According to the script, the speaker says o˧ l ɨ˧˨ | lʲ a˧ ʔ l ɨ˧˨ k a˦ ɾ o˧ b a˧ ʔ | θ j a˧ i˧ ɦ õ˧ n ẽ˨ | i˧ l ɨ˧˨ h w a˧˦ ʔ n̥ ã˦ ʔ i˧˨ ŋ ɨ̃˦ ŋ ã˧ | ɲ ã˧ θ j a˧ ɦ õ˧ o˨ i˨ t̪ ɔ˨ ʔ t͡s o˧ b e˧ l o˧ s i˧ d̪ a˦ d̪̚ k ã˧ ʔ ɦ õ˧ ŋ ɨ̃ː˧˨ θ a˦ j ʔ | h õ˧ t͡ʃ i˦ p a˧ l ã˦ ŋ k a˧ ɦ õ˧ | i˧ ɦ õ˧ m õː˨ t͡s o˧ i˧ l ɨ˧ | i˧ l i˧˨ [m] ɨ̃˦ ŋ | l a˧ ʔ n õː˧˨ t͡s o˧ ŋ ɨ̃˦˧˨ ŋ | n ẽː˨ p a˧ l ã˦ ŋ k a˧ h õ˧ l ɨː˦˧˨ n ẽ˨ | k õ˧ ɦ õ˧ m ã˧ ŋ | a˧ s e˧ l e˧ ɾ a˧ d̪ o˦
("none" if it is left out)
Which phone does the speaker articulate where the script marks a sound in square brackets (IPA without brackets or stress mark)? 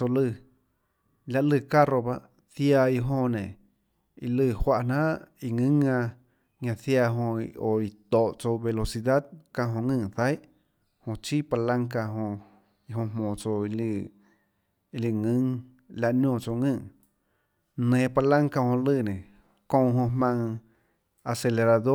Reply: ŋ